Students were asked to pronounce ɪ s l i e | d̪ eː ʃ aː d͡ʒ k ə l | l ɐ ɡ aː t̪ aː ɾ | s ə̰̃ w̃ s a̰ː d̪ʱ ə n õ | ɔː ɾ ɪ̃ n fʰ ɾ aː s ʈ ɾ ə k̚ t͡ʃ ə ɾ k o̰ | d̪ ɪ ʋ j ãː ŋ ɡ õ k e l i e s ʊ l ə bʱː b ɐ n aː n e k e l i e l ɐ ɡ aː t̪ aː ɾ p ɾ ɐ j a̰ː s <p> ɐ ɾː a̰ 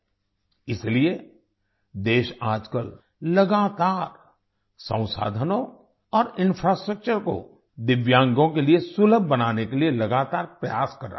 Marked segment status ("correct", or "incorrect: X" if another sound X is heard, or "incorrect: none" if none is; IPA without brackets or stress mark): incorrect: k